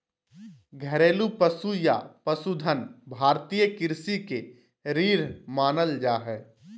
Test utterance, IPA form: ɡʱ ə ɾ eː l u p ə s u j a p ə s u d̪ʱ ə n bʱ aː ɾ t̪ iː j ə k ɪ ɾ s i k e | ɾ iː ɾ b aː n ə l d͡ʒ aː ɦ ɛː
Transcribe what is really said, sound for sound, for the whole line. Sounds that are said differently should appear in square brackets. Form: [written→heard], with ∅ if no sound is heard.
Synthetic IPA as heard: ɡʱ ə ɾ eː l u p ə s u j a p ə s u d̪ʱ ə n bʱ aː ɾ t̪ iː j ə k ɪ ɾ s i k e | ɾ iː ɾ [b→m] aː n ə l d͡ʒ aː ɦ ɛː